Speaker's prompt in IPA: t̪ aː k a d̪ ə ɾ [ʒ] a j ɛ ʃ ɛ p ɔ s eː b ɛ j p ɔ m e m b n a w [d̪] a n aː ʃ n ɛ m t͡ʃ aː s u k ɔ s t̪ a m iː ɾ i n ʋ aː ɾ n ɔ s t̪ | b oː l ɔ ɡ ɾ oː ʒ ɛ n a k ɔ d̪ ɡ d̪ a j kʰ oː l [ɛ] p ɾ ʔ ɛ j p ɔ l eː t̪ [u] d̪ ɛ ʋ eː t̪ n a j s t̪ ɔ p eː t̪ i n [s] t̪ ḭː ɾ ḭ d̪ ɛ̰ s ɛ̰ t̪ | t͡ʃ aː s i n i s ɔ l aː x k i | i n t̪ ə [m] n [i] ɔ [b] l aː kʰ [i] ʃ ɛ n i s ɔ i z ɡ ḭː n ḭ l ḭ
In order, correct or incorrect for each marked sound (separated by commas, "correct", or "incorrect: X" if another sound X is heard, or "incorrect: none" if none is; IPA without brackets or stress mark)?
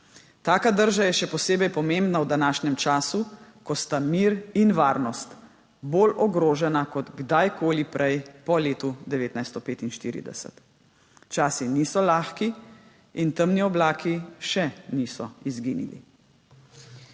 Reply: correct, correct, incorrect: i, correct, incorrect: ʃ, correct, correct, correct, correct